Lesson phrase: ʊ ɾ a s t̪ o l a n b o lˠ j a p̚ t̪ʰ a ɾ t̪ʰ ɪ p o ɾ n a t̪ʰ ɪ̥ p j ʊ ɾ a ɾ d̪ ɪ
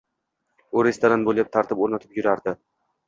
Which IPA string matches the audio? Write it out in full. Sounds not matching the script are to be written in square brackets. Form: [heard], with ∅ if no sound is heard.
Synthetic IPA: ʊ ɾ [e] s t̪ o [ɾ] a n b o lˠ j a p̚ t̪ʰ a ɾ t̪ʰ ɪ p o ɾ n a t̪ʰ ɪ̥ p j ʊ ɾ a ɾ d̪ ɪ